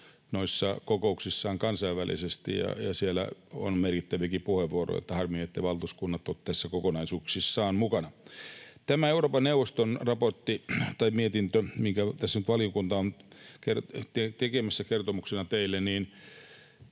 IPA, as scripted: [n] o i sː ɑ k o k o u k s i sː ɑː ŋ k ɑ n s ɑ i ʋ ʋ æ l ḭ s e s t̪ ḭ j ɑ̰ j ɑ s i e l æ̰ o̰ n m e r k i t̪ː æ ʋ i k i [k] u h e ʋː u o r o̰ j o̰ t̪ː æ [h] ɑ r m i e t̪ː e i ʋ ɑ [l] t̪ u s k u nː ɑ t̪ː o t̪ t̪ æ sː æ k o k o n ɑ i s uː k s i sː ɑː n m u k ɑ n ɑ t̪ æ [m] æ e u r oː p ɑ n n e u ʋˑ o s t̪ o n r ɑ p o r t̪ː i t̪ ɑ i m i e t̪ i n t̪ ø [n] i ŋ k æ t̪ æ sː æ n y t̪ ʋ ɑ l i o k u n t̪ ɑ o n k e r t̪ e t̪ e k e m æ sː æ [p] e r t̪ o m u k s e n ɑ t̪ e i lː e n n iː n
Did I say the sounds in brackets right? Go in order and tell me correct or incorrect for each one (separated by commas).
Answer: correct, incorrect, correct, correct, correct, incorrect, incorrect